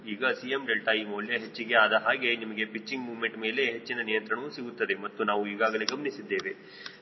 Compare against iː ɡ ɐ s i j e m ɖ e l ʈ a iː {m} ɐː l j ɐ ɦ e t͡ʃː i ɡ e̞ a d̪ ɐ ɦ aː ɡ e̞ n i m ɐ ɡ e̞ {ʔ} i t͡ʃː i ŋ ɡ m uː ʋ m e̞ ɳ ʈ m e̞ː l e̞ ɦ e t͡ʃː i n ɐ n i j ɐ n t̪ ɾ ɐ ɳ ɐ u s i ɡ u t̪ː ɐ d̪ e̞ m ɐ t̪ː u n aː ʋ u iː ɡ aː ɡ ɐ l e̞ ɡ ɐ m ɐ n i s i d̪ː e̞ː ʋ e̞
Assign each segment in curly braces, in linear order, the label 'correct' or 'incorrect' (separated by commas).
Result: correct, incorrect